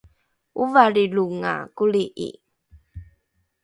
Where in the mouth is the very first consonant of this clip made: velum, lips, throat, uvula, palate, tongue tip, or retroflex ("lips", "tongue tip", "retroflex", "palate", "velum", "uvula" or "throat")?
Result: lips